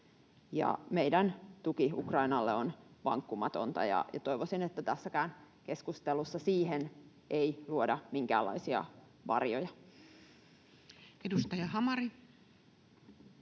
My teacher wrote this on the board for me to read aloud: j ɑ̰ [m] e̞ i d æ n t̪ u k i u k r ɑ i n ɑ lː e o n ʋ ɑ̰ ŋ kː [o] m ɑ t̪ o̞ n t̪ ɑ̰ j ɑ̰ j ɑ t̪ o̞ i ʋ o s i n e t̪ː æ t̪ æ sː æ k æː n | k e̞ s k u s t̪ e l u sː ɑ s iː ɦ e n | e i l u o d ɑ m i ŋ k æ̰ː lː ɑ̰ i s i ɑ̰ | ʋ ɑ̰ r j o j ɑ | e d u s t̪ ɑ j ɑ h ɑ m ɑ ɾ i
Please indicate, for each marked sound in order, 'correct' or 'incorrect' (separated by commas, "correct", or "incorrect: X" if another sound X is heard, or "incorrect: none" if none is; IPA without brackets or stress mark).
correct, incorrect: u